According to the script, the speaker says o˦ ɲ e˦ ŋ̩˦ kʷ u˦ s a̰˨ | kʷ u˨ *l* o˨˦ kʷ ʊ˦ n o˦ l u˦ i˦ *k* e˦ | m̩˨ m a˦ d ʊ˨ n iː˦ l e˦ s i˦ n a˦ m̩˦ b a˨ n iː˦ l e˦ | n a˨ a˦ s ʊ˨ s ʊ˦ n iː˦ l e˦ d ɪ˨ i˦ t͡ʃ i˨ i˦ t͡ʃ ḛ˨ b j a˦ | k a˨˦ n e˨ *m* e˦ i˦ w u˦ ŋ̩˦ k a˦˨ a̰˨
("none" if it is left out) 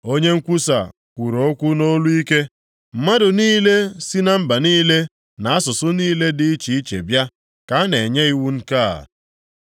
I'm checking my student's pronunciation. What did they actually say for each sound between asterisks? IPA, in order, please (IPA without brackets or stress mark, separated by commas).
ɾ, k, ɲ